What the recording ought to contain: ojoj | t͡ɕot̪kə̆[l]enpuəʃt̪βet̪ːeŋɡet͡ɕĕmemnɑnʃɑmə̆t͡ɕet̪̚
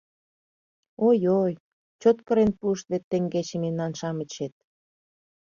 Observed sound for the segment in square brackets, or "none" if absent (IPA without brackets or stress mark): ɾ